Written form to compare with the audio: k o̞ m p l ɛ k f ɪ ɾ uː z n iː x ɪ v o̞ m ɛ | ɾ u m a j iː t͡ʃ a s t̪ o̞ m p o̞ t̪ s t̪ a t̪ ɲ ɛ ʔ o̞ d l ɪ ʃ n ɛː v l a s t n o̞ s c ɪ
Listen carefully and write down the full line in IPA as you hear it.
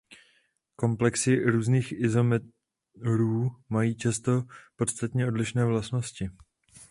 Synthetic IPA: k o̞ m p l ɛ k s ɪ ɾ uː z n iː x ɪ z o̞ m ɛ | ɾ uː m a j iː t͡ʃ a s t̪ o̞ p o̞ t̪ s t̪ a t̪ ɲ ɛ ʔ o̞ d l ɪ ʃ n ɛː v l a s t n o̞ s c ɪ